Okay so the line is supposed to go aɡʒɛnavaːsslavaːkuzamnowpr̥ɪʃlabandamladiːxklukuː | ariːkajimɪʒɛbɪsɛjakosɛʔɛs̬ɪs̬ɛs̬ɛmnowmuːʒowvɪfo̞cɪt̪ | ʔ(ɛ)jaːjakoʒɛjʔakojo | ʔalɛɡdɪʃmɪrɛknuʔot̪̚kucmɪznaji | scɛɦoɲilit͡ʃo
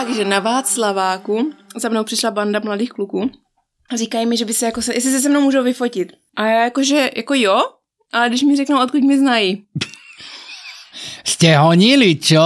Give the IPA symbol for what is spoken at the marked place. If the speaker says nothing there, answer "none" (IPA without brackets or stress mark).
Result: a